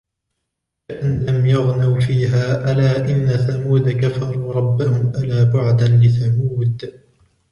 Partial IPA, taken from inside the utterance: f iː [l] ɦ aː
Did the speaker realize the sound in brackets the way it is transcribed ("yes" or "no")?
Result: no